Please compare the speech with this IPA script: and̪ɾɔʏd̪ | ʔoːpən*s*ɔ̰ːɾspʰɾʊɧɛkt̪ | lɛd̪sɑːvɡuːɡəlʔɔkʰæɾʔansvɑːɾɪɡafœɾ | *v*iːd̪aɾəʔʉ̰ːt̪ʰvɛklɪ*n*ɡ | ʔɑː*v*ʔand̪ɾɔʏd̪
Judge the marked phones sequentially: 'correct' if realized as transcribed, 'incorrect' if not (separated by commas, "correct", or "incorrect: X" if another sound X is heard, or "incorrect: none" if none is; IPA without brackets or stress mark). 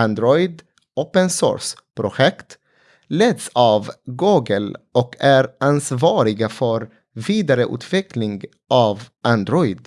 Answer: correct, correct, incorrect: ŋ, correct